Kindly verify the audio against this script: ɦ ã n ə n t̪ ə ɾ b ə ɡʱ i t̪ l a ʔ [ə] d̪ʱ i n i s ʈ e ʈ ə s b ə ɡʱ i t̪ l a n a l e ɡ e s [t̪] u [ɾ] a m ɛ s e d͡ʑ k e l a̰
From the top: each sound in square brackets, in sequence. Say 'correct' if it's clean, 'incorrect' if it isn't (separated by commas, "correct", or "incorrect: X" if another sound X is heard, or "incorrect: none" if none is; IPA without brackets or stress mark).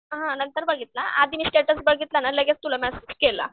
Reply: incorrect: a, correct, incorrect: l